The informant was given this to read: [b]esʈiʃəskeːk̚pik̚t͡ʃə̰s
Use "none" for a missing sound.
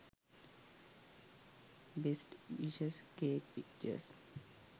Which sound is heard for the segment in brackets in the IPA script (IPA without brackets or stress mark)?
b